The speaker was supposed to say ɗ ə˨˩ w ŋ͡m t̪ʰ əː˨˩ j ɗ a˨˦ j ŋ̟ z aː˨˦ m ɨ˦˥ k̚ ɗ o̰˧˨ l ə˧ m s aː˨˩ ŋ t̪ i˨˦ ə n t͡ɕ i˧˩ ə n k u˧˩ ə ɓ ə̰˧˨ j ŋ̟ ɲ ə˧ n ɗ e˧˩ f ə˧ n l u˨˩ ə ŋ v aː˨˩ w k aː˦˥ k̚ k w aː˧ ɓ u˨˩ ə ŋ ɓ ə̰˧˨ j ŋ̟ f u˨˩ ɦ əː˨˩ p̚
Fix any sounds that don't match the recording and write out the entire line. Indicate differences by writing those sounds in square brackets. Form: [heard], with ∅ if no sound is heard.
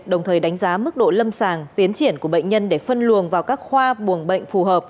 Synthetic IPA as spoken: ɗ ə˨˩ w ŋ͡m t̪ʰ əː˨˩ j ɗ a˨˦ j ŋ̟ z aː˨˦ m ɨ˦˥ k̚ ɗ o̰˧˨ l ə˧ m s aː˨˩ ŋ t̪ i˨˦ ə n t͡ɕ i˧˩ ə n k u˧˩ ə ɓ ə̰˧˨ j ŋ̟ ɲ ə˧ n ɗ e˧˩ f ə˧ n l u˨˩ ə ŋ v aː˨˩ w k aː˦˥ k̚ [x] w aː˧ ɓ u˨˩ ə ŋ ɓ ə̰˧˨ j ŋ̟ f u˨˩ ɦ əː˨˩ p̚